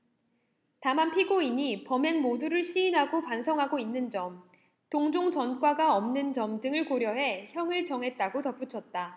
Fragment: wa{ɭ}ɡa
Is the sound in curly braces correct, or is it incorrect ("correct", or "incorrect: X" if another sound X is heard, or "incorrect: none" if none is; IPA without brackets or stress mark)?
incorrect: none